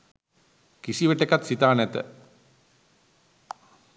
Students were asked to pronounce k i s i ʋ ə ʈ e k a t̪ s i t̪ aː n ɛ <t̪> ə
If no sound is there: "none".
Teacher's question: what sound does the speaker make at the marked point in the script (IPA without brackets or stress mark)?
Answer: t̪